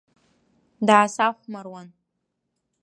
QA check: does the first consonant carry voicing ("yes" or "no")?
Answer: yes